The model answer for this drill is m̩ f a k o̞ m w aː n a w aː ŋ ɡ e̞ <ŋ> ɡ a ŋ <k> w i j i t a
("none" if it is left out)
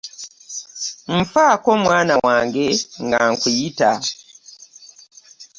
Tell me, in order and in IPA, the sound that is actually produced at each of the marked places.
ŋ, k

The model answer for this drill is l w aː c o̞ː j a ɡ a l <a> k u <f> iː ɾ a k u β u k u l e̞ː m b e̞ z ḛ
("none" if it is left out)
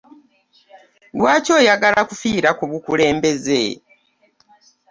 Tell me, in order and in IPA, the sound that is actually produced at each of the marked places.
a, f

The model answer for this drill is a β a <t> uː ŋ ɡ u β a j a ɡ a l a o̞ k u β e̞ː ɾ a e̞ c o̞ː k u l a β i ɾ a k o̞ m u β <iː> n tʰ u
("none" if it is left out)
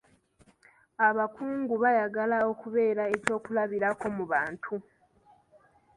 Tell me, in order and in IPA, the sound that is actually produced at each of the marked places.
k, aː

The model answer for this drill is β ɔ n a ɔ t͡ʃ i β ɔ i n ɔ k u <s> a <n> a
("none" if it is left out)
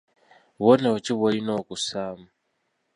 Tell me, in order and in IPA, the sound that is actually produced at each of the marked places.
s, m

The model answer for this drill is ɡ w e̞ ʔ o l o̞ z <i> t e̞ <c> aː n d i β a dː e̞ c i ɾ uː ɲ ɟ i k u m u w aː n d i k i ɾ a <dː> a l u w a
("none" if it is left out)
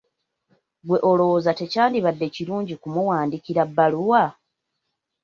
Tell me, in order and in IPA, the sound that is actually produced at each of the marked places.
a, c, bː

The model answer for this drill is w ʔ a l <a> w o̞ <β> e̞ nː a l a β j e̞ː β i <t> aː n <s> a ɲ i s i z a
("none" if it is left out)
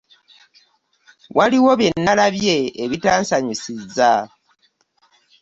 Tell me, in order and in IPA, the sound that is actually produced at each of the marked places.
i, β, t, s

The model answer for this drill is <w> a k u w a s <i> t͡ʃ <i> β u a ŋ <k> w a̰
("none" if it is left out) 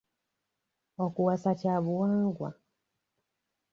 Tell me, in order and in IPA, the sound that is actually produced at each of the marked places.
w, a, a, ɡ

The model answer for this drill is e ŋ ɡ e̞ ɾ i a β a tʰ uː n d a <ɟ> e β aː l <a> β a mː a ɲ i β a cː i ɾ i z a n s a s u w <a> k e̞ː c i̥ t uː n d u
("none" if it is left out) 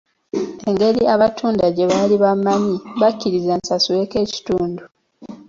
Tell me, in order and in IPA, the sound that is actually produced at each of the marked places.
ɟ, i, e

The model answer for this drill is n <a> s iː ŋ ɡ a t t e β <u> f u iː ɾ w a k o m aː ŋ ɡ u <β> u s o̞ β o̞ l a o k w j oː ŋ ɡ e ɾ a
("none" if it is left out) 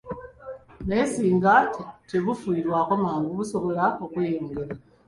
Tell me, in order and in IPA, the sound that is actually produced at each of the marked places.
e, u, β

